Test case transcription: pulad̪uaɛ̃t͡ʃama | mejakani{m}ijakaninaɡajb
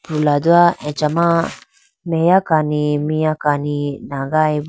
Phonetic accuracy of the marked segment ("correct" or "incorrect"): correct